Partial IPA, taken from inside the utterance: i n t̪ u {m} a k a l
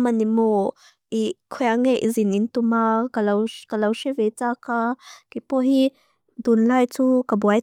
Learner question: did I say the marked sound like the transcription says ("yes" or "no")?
yes